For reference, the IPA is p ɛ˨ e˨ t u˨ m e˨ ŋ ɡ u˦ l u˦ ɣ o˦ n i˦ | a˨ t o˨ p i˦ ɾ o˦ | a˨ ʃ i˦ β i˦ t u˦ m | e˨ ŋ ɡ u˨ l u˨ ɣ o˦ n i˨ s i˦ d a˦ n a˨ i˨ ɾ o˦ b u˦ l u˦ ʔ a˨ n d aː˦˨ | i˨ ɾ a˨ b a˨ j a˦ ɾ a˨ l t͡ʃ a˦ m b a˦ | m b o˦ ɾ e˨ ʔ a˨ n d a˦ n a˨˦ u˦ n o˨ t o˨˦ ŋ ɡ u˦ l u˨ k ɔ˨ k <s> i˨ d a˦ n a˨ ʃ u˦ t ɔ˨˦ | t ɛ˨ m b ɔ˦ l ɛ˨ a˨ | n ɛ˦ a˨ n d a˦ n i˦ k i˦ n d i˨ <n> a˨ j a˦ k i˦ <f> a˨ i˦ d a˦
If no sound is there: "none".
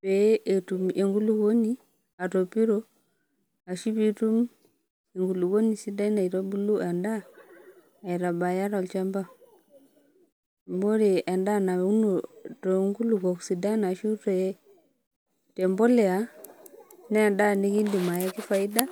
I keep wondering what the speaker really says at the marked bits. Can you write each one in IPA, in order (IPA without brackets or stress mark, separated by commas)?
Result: s, m, f